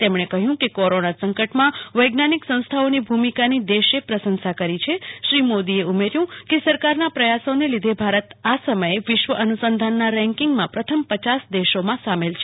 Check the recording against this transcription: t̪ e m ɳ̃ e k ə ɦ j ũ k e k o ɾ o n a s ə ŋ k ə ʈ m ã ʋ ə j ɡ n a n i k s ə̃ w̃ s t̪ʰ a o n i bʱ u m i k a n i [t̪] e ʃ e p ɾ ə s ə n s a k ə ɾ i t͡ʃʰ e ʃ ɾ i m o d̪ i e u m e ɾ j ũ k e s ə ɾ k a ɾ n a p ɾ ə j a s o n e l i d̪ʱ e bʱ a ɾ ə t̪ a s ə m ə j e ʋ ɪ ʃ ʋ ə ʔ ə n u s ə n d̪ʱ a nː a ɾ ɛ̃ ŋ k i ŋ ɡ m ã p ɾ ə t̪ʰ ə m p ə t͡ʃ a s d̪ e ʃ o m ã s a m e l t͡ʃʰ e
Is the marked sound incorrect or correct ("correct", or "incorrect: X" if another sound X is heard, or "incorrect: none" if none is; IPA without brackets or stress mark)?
incorrect: d̪